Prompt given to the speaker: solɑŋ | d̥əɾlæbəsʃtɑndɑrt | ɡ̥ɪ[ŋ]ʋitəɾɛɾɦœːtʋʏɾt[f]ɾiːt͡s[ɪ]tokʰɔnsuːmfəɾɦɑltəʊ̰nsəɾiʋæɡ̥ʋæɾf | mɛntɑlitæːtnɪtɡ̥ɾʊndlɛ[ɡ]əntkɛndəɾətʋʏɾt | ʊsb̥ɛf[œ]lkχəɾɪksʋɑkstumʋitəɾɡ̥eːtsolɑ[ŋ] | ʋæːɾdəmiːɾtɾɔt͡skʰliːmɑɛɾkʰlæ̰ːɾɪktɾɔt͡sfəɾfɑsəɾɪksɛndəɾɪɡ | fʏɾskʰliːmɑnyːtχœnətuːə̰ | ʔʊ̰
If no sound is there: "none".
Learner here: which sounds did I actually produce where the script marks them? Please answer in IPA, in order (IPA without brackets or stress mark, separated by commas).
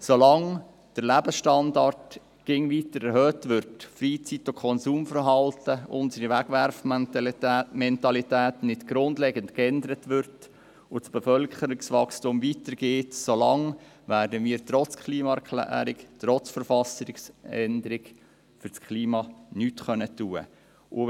ŋ, f, i, ɡ, œ, ŋ